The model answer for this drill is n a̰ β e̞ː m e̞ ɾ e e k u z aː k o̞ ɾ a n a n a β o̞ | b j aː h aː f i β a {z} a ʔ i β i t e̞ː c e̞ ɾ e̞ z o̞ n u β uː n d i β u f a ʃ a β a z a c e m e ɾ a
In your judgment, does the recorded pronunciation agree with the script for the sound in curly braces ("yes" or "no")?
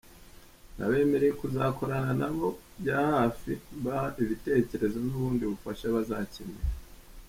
no